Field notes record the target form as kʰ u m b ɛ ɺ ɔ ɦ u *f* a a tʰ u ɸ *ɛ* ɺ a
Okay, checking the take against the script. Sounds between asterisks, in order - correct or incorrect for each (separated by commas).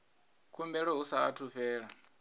incorrect, incorrect